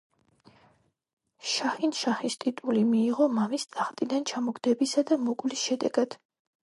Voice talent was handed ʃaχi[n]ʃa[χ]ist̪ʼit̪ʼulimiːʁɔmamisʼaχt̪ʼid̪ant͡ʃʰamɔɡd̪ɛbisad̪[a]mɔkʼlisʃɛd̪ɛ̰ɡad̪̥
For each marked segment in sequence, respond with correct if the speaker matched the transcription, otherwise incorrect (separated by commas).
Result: correct, correct, correct